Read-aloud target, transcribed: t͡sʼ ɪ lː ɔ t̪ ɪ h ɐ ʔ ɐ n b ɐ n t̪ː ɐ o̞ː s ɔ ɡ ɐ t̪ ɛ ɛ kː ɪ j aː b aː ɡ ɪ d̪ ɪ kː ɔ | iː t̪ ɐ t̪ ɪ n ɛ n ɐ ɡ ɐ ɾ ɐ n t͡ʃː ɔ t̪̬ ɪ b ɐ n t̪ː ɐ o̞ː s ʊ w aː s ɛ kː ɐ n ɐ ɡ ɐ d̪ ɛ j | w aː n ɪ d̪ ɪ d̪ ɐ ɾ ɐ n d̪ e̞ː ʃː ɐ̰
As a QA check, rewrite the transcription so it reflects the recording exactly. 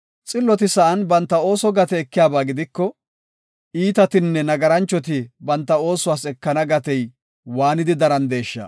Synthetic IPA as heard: t͡sʼ ɪ lː ɔ t̪ ɪ s ɐ ʔ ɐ n b ɐ n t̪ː ɐ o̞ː s ɔ ɡ ɐ t̪ ɛ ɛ kː ɪ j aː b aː ɡ ɪ d̪ ɪ kː ɔ | iː t̪ ɐ t̪ ɪ nː ɛ n ɐ ɡ ɐ ɾ ɐ n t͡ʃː ɔ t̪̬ ɪ b ɐ n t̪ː ɐ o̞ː s ʊ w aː s ɛ kː ɐ n ɐ ɡ ɐ t̪ ɛ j | w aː n ɪ d̪ ɪ d̪ ɐ ɾ ɐ n d̪ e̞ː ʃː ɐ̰